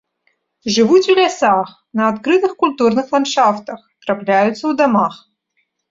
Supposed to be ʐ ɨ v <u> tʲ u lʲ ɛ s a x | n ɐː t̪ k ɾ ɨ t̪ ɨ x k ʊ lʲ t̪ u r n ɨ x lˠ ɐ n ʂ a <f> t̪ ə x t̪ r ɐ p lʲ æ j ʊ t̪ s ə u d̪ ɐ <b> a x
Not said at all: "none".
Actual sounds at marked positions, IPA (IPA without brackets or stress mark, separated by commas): u, f, m